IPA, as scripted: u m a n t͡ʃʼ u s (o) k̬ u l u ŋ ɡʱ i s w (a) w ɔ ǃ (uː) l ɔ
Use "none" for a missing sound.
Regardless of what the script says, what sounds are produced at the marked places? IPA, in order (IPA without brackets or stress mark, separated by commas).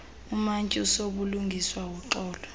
o, a, ɔː